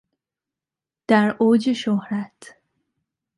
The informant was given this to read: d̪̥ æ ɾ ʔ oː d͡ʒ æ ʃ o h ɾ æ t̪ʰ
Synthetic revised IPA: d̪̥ æ ɾ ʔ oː d͡ʒ e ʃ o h ɾ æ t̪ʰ